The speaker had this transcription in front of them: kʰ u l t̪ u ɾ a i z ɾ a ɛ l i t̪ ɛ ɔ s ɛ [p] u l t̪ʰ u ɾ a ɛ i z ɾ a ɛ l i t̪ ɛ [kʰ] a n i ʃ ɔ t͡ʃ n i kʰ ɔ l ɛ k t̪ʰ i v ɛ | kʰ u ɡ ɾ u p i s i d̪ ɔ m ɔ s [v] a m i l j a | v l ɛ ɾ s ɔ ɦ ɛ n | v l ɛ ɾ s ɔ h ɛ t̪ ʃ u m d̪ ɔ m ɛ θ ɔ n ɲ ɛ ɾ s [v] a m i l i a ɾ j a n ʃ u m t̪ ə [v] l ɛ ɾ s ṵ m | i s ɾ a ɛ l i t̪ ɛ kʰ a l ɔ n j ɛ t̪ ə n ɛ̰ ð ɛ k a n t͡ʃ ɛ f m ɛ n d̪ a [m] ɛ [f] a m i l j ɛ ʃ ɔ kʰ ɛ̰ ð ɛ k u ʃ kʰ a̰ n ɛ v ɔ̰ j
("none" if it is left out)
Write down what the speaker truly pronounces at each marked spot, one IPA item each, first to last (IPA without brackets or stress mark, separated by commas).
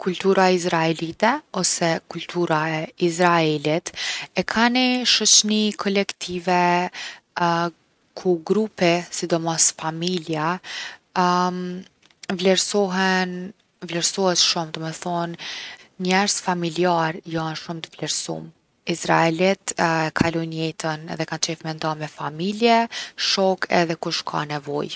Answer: k, kʰ, f, f, v, m, f